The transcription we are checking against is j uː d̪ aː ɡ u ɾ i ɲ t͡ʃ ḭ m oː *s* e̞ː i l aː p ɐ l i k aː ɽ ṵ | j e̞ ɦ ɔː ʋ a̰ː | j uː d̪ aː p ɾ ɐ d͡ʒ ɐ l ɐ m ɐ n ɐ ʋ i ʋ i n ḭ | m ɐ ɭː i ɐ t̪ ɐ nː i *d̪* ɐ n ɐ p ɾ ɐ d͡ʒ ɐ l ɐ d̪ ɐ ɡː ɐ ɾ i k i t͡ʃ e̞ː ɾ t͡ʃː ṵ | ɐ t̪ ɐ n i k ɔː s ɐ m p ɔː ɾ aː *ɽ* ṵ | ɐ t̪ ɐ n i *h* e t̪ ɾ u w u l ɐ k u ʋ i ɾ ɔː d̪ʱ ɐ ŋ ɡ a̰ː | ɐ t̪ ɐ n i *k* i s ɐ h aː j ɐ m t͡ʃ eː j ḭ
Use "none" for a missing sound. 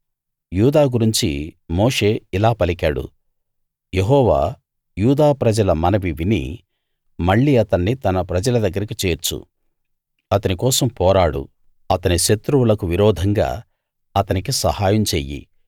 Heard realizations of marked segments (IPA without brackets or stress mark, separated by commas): ʂ, t̪, ɽ, ʃ, k